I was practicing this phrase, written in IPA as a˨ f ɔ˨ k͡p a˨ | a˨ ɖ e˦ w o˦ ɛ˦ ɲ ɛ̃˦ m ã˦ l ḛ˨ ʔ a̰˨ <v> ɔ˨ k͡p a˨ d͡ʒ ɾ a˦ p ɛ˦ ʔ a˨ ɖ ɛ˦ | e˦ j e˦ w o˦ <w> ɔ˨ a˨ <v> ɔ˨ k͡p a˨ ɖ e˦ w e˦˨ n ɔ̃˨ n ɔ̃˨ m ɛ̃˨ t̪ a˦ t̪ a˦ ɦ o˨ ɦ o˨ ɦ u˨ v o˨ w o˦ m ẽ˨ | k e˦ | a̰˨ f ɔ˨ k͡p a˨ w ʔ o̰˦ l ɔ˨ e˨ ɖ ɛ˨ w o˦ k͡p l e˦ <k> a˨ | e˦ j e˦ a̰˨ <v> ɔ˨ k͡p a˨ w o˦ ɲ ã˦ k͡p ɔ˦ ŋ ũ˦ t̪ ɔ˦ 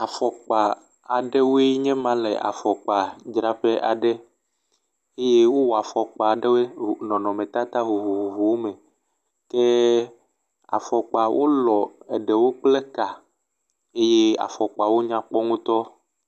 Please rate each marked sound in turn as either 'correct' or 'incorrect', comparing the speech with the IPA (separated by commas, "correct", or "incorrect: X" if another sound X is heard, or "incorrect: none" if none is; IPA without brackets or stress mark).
incorrect: f, correct, incorrect: f, correct, incorrect: f